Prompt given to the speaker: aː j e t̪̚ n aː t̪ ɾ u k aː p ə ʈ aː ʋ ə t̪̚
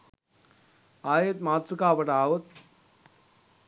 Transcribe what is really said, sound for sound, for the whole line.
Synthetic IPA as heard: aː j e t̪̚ m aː t̪ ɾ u k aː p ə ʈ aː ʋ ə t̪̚

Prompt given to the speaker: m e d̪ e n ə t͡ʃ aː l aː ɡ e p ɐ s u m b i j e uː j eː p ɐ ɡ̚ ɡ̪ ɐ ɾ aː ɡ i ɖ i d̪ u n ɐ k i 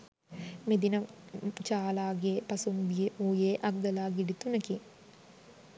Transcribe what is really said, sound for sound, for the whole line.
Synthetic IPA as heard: m e d̪ i n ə t͡ʃ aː l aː ɡ e p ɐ s u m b i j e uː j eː ʔ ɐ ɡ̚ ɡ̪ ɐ l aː ɡ i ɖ i t̪ u n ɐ k i

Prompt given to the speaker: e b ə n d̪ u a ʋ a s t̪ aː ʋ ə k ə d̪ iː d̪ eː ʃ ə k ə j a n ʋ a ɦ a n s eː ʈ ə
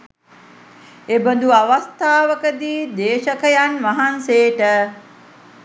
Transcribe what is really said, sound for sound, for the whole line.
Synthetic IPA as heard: e b ə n d̪ u a ʋ a s t̪ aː ʋ ə k ə d̪ iː d̪ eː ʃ ə k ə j a n ʋ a ɦ a n s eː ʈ ə

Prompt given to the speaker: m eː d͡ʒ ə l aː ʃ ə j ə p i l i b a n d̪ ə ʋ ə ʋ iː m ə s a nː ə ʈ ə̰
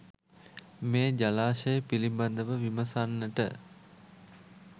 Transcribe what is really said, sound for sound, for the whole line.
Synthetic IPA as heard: m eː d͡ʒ a l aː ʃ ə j ə p i l i b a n d̪ ə ʋ ə ʋ i m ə s a nː ə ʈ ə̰

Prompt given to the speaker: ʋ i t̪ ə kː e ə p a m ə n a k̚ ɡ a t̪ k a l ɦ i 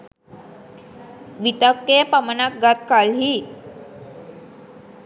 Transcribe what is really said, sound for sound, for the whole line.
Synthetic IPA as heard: ʋ i t̪ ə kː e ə p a m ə n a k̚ ɡ a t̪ k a l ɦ i

